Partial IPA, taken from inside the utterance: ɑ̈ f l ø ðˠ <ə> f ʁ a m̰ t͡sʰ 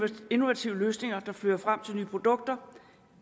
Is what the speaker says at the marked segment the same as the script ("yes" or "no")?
no